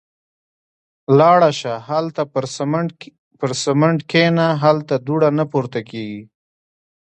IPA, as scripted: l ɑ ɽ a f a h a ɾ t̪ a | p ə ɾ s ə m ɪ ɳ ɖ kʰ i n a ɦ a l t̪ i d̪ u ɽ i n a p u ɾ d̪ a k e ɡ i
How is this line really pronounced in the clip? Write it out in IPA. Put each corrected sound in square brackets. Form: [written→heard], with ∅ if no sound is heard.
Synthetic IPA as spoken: l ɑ ɽ a [f→ʃ] a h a [ɾ→l] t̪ a | p ə ɾ s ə m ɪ ɳ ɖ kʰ [i→e] n a ɦ a l t̪ [i→a] d̪ u ɽ [i→a] n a p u ɾ [d̪→t̪] a k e ɡ i